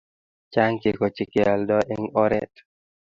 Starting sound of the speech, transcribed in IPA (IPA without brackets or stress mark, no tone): t͡ʃ